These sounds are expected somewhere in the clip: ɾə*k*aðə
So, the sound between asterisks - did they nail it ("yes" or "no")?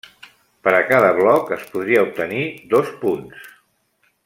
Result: yes